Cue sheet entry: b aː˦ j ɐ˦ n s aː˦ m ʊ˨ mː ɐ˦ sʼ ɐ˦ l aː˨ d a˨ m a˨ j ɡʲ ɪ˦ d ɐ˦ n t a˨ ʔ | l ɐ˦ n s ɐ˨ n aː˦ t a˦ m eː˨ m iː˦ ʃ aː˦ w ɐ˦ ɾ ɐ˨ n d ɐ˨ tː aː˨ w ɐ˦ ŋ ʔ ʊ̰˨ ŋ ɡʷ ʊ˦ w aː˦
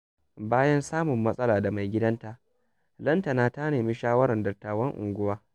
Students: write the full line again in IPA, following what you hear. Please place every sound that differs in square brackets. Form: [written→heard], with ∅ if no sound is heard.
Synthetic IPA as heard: b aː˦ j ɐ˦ n s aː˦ m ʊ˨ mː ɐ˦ sʼ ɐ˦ l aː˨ d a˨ m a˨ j ɡʲ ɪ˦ d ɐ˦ n t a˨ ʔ | l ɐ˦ n [s→t] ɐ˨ n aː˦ t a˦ [m→n] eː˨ m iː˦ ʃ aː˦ w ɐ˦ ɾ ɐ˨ n d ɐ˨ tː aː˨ w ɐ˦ ŋ ʔ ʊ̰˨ ŋ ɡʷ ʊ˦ w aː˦